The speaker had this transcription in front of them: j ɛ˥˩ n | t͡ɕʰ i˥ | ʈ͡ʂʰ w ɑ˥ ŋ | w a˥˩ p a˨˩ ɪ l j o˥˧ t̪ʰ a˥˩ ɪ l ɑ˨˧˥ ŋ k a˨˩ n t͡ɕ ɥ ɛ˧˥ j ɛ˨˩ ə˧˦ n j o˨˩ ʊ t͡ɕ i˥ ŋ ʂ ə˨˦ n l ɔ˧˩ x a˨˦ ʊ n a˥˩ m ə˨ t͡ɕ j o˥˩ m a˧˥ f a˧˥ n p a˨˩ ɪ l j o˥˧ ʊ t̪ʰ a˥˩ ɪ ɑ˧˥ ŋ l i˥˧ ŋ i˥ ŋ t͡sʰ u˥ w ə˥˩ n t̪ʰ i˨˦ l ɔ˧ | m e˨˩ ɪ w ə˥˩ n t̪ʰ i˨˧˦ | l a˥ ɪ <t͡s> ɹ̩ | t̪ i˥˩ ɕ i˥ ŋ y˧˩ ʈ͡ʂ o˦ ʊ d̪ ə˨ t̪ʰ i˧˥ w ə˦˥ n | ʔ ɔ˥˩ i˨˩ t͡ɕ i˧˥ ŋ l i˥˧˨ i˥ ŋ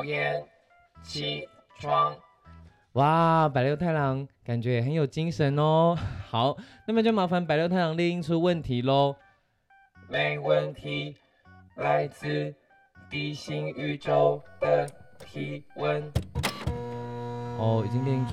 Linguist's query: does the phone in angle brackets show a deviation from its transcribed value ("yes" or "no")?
no